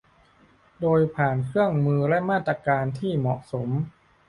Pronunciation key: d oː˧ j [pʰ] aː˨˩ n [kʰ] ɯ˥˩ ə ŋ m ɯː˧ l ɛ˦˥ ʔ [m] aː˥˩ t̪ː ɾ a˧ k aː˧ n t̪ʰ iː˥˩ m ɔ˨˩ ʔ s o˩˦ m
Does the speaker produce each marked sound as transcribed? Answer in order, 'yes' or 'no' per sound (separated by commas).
yes, yes, yes